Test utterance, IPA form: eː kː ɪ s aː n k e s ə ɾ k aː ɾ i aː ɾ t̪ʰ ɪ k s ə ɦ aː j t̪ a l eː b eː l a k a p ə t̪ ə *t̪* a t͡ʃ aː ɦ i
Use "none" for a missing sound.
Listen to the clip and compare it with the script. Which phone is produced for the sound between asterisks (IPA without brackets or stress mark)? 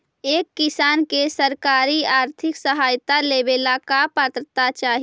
t̪